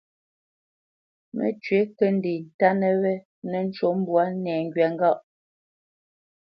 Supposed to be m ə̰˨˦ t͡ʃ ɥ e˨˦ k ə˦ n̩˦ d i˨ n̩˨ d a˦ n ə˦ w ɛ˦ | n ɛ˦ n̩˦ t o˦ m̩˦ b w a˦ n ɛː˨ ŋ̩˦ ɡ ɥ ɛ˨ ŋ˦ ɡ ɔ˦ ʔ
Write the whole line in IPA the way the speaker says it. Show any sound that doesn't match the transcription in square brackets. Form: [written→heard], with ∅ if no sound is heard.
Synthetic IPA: m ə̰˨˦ t͡ʃ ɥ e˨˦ k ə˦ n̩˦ d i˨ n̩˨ [d→t] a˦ n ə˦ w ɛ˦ | n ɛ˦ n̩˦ [t→t͡ʃ] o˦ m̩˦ b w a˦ n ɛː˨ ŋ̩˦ ɡ ɥ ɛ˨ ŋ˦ ɡ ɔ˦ ʔ